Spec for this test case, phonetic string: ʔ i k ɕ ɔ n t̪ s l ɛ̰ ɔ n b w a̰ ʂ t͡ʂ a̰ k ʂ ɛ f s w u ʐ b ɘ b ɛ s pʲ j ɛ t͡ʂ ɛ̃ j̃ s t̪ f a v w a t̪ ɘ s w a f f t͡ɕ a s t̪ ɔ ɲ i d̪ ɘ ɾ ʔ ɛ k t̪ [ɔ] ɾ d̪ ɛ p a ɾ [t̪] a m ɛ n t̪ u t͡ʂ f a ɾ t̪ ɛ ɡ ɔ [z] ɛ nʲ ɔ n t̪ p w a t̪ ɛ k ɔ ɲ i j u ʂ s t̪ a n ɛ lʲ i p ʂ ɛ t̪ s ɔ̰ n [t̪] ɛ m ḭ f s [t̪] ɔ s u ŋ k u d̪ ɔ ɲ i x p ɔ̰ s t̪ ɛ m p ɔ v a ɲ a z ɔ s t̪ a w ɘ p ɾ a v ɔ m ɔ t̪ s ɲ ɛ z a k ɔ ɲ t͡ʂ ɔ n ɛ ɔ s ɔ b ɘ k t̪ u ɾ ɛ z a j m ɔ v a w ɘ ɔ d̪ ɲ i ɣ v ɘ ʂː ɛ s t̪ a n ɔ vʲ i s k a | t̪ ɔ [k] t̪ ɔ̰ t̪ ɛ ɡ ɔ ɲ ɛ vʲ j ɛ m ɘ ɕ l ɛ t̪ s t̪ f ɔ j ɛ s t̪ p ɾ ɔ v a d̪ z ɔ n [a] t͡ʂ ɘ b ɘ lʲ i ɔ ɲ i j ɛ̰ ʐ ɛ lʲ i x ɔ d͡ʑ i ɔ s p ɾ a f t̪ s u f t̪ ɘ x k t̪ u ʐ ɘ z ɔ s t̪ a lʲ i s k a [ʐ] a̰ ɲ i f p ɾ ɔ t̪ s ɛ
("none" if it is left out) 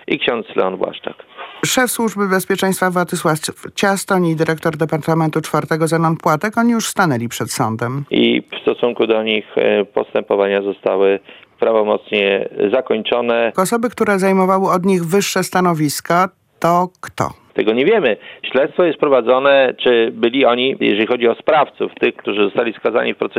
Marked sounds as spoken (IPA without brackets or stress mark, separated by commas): ɔ, t̪, z, d̪, t̪, k, ɛ, z